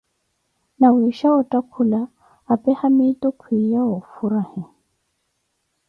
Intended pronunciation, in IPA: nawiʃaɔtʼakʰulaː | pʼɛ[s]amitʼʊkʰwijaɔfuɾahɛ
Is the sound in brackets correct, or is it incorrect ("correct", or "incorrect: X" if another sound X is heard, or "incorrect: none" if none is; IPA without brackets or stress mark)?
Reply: incorrect: h